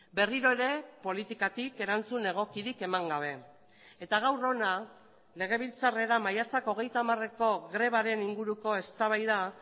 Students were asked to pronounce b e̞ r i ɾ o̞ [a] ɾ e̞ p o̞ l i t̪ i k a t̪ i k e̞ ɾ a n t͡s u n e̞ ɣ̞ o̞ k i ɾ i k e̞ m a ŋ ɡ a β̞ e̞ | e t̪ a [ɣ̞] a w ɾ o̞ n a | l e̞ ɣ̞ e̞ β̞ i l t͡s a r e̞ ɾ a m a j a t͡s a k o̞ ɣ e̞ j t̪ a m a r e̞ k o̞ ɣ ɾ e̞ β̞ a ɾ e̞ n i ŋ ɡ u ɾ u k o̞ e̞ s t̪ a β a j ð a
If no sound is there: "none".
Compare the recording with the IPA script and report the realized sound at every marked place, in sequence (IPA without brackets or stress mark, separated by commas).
e, ɣ̞